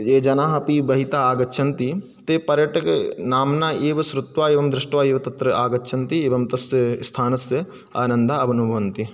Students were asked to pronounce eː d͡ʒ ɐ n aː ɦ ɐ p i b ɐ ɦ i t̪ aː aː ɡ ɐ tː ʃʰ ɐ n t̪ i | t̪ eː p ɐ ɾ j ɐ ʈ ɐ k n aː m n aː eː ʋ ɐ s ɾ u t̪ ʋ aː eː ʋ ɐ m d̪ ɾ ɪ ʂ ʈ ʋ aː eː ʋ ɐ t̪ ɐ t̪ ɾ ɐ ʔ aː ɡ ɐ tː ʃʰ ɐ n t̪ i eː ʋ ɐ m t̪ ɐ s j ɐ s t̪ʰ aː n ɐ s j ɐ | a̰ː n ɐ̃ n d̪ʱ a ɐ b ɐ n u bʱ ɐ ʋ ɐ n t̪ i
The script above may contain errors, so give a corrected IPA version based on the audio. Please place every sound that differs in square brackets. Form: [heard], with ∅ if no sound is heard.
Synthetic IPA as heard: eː d͡ʒ ɐ n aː ɦ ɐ p i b ɐ ɦ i t̪ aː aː ɡ ɐ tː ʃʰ ɐ n t̪ i | t̪ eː p ɐ ɾ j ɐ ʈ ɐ k n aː m n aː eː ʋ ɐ s ɾ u t̪ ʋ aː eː ʋ ɐ m d̪ ɾ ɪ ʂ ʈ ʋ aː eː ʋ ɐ t̪ ɐ t̪ ɾ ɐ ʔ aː ɡ ɐ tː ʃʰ ɐ n t̪ i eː ʋ ɐ m t̪ ɐ s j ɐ s t̪ʰ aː n ɐ s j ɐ | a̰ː n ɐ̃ n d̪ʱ a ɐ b ɐ n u bʱ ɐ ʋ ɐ n t̪ i